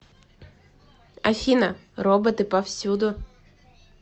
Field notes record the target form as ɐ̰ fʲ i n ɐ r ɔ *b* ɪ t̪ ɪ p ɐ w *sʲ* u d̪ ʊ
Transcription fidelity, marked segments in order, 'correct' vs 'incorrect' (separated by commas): correct, correct